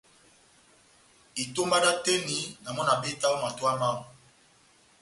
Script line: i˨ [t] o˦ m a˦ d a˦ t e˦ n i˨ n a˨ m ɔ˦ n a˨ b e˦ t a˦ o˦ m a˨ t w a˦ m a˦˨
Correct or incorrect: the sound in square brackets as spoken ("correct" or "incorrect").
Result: correct